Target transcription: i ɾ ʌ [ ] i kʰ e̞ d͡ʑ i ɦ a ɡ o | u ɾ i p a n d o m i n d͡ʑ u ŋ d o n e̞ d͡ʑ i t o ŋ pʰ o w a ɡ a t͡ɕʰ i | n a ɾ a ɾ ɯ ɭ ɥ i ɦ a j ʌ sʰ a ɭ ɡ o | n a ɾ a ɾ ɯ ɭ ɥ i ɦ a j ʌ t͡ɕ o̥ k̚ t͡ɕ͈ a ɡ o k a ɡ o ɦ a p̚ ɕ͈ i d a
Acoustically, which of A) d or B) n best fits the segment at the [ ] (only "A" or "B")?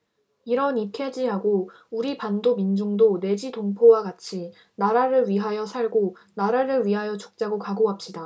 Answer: B